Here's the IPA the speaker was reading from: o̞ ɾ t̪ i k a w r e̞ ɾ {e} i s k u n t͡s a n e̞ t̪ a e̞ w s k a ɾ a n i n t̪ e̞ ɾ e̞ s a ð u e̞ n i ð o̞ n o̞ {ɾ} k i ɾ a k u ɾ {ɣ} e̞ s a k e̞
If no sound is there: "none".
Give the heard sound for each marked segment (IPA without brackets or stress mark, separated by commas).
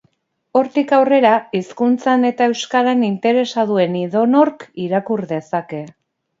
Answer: a, ɾ, ð